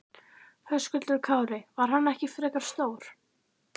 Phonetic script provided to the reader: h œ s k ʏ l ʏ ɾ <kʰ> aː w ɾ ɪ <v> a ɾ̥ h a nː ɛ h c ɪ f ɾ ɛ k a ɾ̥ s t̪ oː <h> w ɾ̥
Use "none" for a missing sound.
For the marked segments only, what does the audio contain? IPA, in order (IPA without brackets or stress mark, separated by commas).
kʰ, v, none